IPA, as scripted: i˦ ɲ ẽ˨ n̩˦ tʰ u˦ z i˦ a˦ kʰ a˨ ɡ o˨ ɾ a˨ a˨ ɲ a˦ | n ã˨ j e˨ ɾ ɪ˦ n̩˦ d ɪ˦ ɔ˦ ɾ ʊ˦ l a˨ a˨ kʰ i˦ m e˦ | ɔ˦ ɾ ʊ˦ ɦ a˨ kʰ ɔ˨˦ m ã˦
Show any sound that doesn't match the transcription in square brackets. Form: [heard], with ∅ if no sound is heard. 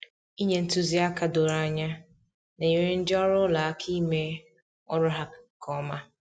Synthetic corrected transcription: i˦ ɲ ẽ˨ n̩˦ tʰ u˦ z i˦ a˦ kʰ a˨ [d] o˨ ɾ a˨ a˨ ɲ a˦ | n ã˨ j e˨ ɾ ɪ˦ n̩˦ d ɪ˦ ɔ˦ ɾ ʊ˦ l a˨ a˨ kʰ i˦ m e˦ | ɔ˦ ɾ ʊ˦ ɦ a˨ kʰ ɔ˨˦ m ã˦